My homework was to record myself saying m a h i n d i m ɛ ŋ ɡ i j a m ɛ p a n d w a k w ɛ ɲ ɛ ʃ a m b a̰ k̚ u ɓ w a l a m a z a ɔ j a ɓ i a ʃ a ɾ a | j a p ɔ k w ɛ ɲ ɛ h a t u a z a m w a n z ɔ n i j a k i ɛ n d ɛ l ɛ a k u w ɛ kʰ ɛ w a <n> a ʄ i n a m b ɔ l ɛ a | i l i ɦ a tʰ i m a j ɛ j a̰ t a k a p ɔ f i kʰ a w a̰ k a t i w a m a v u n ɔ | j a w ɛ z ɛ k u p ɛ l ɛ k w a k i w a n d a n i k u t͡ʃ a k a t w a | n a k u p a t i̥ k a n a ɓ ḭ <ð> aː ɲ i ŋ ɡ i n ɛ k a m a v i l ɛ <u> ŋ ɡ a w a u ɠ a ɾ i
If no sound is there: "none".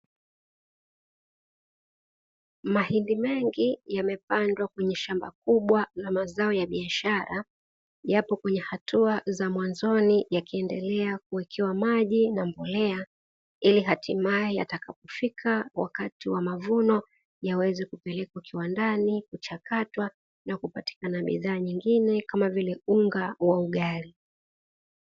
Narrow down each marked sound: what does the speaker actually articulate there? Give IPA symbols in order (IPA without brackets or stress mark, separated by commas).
m, ð, u